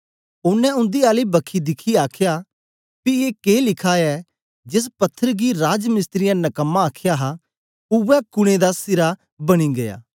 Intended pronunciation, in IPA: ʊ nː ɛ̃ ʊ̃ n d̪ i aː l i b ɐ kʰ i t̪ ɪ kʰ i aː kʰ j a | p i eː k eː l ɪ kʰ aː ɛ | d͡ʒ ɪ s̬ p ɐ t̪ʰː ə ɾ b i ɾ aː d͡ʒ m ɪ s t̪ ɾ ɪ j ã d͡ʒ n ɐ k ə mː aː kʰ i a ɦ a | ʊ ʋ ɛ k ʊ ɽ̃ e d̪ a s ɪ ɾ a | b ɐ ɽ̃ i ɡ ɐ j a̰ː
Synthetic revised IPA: ʊ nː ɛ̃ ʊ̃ n d̪ i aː l i b ɐ kʰ i d̪ ɪ kʰ i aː kʰ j a | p i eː k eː l ɪ kʰ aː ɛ | d͡ʒ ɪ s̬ p ɐ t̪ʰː ə ɾ ɡ i ɾ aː d͡ʒ m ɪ s t̪ ɾ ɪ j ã n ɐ k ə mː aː kʰ j a ɦ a | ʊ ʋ ɛ k ʊ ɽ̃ e d̪ a s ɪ ɾ a | b ɐ ɽ̃ i ɡ ɐ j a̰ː

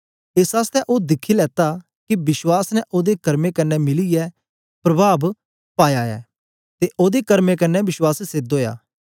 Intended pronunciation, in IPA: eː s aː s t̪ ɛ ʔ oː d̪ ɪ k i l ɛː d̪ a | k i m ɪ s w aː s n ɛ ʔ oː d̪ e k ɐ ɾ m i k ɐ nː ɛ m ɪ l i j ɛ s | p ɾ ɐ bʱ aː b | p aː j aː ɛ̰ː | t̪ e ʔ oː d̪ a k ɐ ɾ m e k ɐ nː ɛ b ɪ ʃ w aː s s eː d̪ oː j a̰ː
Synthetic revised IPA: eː s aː s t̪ ɛ ʔ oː d̪ ɪ kʰ i l ɛː t̪ a | k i b ɪ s w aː s n ɛ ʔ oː d̪ e k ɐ ɾ m e k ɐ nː ɛ m ɪ l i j ɛ | p ɾ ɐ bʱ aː b | p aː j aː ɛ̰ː | t̪ e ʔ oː d̪ e k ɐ ɾ m e k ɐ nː ɛ b ɪ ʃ w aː s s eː d̪ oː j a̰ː

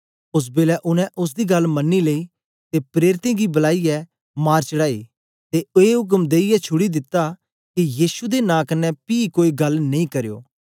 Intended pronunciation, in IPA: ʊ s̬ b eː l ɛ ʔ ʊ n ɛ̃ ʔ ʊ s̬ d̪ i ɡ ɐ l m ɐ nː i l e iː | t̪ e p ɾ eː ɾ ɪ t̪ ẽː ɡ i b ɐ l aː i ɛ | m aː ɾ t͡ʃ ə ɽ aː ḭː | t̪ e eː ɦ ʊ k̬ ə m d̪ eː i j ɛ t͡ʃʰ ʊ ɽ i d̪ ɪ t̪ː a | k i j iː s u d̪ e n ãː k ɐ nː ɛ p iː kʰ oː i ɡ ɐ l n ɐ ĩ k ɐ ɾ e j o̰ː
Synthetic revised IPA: ʊ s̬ b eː l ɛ ʔ ʊ n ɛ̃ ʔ ʊ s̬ d̪ i ɡ ɐ l m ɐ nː i l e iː | t̪ e p ɾ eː ɾ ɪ t̪ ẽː ɡ i b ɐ l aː i ɛ | m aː ɾ t͡ʃ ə ɽ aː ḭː | t̪ e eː ɦ ʊ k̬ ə m d̪ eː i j ɛ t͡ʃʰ ʊ ɽ i d̪ ɪ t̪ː a | k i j iː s u d̪ e n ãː k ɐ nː ɛ p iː k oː i ɡ ɐ l n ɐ ĩ k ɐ ɾ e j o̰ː

